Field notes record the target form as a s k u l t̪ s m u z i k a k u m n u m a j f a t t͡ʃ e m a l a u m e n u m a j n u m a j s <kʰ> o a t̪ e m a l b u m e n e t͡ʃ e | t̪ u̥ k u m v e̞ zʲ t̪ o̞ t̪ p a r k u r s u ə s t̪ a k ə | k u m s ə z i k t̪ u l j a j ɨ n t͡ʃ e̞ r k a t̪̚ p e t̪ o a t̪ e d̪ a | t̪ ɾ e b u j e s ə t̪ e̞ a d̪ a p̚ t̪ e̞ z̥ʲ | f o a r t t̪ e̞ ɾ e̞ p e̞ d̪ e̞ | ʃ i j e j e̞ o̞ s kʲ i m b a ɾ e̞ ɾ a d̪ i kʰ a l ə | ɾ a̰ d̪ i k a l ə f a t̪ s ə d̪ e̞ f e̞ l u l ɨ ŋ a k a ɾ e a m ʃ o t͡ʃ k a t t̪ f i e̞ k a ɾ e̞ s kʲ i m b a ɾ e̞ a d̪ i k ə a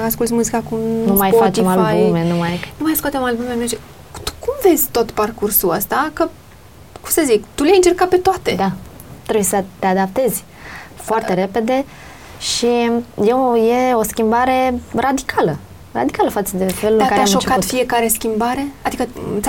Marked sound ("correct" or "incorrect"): incorrect